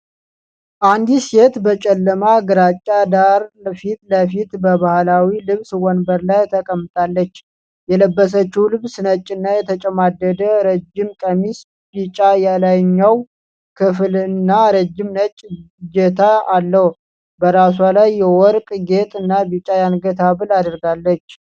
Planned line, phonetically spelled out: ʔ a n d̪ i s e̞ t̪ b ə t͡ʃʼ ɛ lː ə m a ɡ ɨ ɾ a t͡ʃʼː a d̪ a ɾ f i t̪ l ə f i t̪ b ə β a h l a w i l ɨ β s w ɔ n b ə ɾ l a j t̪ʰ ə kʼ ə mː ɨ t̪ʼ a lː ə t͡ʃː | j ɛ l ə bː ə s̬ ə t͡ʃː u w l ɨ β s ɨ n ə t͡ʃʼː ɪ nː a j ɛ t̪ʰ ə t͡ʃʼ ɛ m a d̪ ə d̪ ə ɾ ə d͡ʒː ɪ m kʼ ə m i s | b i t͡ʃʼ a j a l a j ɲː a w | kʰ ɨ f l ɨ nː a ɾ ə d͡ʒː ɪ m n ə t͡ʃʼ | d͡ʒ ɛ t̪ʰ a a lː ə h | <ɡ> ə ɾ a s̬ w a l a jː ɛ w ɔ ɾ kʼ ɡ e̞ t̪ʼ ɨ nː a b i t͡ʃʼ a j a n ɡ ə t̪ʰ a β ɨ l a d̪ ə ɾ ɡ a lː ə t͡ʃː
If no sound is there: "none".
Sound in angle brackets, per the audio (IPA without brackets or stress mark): b